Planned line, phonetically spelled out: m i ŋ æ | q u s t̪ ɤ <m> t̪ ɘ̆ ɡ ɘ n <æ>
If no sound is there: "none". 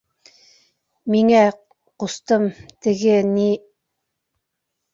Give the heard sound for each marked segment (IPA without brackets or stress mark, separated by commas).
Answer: m, i